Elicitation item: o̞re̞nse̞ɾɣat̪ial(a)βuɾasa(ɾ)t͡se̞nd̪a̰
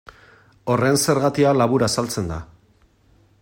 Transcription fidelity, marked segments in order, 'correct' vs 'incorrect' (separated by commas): correct, incorrect